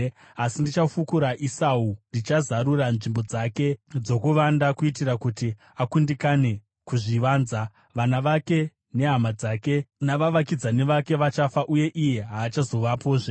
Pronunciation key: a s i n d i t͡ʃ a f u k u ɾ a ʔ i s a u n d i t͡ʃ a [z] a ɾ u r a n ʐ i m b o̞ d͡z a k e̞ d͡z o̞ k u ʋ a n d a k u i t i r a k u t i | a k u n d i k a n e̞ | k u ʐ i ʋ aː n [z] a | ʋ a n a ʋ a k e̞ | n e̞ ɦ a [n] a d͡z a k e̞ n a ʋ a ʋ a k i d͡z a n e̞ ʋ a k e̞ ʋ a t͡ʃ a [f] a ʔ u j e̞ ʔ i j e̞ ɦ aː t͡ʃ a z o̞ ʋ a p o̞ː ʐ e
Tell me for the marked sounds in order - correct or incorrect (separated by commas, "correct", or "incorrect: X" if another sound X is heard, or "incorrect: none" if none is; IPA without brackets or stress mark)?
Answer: correct, correct, incorrect: m, correct